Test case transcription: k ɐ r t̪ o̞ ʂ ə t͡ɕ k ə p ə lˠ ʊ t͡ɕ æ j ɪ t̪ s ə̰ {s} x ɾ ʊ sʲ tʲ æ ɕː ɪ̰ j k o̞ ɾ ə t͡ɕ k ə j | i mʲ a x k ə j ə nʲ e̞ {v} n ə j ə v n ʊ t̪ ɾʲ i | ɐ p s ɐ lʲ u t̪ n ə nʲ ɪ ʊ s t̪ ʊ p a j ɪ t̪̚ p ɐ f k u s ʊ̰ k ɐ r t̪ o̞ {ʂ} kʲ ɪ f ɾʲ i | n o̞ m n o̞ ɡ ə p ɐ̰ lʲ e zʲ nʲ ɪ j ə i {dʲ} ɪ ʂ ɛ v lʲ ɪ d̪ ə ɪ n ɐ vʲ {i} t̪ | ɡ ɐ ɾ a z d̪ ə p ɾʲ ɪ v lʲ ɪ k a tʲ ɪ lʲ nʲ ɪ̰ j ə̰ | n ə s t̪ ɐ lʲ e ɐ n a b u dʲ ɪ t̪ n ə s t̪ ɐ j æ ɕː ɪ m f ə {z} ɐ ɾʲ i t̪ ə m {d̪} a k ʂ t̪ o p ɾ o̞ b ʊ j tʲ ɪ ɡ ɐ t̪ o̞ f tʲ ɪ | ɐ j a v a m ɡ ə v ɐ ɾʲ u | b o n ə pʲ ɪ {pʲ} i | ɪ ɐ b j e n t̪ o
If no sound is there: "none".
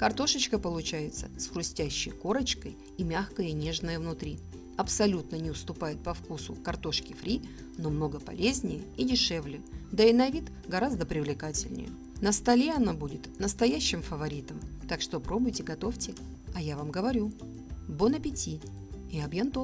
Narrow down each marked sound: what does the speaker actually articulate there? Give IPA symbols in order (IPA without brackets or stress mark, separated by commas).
s, ʐ, ʂ, dʲ, i, v, t̪, tʲ